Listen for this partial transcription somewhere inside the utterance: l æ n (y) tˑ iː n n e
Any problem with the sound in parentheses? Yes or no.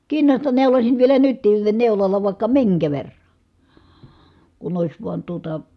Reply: no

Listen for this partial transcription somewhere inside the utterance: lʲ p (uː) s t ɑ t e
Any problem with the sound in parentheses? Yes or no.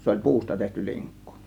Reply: no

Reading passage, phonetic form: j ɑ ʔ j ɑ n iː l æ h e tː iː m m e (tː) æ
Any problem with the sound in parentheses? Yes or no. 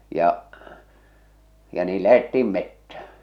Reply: no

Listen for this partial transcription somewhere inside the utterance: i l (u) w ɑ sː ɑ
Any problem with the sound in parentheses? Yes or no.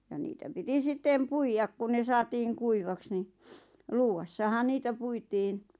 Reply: yes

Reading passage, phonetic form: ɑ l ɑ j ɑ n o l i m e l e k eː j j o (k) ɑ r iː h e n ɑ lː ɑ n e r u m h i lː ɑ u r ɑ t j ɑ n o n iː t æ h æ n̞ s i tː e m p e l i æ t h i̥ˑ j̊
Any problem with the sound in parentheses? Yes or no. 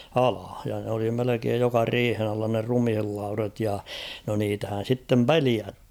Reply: no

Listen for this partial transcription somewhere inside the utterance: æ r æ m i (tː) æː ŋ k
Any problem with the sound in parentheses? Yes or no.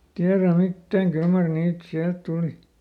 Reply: no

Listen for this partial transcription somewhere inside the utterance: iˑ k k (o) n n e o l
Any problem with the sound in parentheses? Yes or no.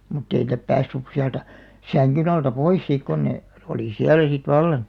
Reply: no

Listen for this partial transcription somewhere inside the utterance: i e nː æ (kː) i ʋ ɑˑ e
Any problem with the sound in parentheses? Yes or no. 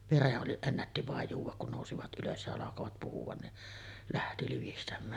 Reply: yes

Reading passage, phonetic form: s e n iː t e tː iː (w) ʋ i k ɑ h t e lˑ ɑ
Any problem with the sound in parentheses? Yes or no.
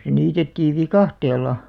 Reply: yes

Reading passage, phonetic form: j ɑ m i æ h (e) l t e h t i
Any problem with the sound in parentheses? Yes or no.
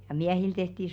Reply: yes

